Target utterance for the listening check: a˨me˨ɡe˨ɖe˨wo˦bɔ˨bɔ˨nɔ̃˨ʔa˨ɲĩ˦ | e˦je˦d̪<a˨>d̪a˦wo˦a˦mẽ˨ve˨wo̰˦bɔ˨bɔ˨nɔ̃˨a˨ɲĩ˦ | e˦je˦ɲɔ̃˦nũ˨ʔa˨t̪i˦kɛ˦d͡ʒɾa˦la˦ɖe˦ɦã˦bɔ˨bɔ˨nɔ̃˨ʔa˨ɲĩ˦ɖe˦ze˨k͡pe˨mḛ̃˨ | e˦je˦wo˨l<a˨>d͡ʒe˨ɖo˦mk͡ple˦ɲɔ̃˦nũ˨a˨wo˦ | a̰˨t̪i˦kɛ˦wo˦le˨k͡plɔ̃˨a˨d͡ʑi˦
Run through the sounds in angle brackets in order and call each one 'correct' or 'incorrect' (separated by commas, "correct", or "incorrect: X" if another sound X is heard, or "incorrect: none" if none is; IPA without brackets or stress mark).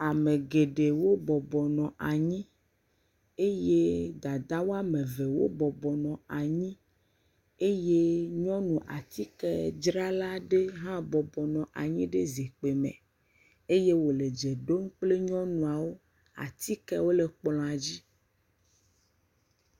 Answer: correct, incorrect: e˨